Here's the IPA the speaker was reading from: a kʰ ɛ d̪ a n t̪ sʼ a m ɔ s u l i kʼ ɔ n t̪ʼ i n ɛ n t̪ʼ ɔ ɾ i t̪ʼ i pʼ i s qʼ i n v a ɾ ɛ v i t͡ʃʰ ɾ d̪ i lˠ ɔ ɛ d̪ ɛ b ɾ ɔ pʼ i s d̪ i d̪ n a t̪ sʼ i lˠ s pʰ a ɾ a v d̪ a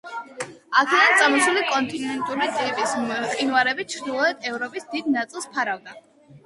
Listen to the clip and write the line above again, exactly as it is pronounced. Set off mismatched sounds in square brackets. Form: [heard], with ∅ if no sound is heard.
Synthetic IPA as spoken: a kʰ ɛ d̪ a n t̪ sʼ a m ɔ s u l i kʼ ɔ n t̪ʼ i n ɛ n t̪ʼ [u] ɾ i t̪ʼ i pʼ i s qʼ i n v a ɾ ɛ [b] i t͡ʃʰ ɾ d̪ i lˠ ɔ ɛ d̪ ɛ [v] ɾ ɔ pʼ i s d̪ i d̪ n a t̪ sʼ i lˠ s pʰ a ɾ a v d̪ a